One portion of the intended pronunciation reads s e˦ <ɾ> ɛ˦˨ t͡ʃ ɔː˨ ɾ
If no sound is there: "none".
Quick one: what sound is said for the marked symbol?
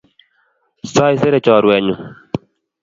ɾ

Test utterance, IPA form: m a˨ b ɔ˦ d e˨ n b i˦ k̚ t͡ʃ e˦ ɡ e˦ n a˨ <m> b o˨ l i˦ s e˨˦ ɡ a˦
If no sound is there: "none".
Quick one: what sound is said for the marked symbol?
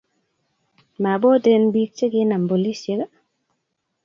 m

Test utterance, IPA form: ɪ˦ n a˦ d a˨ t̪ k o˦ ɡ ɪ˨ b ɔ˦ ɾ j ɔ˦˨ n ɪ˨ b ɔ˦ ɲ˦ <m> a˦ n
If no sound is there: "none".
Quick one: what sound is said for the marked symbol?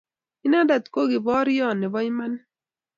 m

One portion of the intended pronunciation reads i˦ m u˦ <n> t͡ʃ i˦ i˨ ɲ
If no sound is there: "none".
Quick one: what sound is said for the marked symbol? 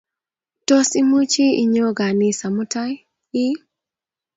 none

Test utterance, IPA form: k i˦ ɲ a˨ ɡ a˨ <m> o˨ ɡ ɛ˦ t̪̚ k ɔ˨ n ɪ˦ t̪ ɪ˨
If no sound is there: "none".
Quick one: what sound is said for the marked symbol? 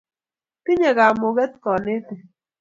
m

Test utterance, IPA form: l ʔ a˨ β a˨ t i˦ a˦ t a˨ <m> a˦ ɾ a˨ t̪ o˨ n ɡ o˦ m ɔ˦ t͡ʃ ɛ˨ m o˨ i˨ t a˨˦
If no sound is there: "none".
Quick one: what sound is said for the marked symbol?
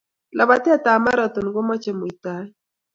m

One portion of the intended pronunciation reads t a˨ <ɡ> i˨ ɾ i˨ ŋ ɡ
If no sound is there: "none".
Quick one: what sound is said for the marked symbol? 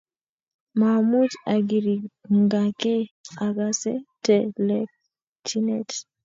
ɡ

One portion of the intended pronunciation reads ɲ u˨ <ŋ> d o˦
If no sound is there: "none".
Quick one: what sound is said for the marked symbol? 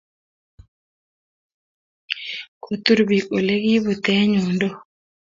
n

